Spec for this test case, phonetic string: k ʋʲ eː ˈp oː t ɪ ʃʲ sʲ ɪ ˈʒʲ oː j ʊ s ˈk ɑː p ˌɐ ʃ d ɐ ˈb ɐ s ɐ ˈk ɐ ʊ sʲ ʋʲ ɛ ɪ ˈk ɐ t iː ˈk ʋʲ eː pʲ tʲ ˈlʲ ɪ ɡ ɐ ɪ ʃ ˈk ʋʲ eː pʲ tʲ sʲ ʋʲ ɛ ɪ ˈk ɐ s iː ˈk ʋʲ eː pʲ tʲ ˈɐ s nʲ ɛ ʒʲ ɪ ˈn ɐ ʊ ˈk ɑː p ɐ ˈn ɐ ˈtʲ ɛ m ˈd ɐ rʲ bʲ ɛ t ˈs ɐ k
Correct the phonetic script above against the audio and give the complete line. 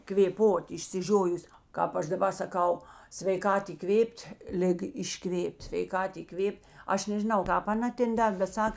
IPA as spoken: k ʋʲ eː ˈp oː t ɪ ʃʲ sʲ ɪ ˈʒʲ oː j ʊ s ˈk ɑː p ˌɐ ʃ d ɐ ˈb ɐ s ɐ ˈk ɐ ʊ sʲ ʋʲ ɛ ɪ ˈk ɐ t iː ˈk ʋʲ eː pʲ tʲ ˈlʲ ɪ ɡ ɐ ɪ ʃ ˈk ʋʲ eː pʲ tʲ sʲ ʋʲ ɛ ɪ ˈk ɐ t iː ˈk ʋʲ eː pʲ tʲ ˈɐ ʃ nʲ ɛ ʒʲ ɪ ˈn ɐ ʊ ˈk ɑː p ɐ ˈn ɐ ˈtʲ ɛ n ˈd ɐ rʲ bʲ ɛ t ˈs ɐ k